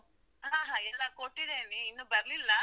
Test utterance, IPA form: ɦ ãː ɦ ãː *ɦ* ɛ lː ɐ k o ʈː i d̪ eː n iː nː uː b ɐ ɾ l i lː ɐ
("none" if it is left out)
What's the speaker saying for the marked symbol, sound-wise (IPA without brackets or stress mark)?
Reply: none